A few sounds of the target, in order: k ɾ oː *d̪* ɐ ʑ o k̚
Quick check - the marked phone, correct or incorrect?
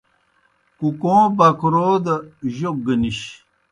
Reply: correct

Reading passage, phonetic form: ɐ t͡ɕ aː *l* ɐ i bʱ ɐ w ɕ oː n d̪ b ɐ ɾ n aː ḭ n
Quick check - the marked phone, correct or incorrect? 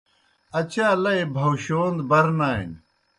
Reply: correct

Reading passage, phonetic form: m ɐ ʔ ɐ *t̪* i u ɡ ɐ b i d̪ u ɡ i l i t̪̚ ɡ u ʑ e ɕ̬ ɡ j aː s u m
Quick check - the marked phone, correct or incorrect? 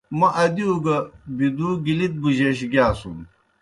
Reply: incorrect: d̪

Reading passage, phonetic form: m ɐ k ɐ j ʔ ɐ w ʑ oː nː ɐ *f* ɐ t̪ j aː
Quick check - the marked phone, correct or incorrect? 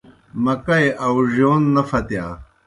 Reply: correct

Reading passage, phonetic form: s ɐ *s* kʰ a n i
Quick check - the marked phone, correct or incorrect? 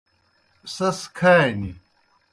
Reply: correct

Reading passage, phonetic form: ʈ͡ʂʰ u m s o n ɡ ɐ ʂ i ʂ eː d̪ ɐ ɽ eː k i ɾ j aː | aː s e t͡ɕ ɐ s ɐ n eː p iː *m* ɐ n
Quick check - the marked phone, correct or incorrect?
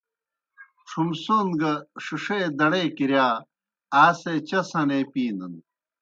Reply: incorrect: n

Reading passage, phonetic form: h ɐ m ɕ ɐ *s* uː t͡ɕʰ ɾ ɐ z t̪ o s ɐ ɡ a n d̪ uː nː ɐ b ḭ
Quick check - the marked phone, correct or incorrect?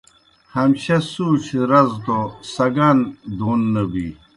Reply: correct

